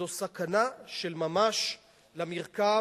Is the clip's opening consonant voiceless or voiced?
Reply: voiceless